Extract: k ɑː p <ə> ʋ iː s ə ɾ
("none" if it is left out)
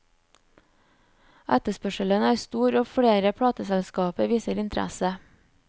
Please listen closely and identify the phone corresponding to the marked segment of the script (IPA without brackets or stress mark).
ə